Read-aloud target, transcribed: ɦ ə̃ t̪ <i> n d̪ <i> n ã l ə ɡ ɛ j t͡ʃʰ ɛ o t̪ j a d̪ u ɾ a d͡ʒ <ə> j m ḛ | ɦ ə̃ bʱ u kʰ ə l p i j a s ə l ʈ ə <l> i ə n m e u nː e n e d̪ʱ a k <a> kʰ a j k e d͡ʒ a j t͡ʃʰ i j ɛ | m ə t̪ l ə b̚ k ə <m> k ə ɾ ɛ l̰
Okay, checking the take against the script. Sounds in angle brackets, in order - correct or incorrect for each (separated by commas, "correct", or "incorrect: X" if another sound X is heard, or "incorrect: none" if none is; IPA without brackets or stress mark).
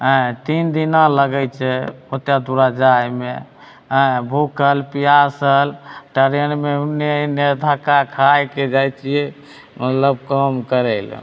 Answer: correct, correct, incorrect: a, incorrect: ɾ, correct, correct